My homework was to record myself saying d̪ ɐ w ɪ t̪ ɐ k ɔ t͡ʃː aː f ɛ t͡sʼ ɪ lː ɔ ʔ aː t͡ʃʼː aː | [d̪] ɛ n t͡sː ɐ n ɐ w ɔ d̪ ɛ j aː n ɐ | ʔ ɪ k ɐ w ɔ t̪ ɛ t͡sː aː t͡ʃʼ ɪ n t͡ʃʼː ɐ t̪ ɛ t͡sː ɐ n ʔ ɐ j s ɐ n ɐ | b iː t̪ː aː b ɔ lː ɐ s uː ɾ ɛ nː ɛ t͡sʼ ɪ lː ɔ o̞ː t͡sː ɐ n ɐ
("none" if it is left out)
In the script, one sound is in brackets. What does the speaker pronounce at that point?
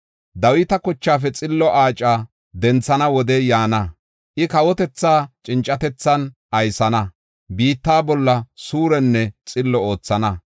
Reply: d̪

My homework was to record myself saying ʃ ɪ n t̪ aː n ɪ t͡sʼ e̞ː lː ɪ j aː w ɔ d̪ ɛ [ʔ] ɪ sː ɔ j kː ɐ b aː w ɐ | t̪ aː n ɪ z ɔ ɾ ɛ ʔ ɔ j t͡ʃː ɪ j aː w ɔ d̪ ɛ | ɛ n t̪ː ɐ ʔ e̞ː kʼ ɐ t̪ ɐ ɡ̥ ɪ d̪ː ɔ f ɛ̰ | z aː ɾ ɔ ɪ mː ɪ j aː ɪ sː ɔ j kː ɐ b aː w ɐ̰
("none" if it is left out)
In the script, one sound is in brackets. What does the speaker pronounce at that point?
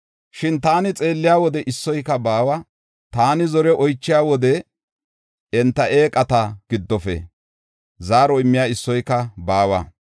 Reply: ʔ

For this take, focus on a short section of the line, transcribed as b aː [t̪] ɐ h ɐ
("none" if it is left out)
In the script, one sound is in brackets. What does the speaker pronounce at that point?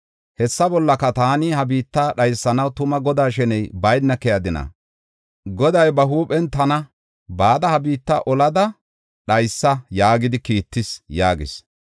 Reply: d̪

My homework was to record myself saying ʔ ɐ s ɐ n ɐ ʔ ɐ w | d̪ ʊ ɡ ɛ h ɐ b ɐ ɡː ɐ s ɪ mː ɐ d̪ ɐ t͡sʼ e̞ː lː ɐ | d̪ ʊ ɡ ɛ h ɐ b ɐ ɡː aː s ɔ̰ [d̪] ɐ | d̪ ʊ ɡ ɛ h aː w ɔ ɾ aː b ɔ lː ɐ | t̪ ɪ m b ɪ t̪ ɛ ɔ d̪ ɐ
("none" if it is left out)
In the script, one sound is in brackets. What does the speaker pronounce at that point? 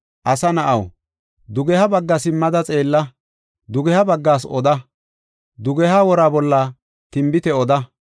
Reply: d̪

